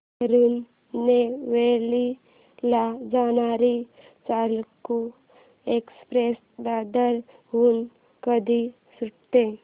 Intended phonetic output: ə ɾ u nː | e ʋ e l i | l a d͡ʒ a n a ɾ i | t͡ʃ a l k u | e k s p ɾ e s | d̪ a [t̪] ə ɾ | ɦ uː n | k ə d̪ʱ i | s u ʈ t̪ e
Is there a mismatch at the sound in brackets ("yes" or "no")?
yes